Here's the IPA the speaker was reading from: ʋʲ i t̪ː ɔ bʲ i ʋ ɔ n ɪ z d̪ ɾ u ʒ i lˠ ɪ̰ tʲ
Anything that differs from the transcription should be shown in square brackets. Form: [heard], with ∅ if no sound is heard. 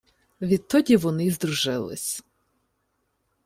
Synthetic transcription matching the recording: ʋʲ i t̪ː ɔ [dʲ] i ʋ ɔ n ɪ z d̪ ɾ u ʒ [ɪ] lˠ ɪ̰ [sʲ]